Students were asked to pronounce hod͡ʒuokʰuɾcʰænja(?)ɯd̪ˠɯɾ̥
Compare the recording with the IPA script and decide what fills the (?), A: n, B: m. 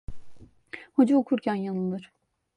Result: A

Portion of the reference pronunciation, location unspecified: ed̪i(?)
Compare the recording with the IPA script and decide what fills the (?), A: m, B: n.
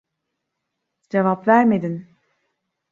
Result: B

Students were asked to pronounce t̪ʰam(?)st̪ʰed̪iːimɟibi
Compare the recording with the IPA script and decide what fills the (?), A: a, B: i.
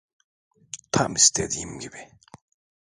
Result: B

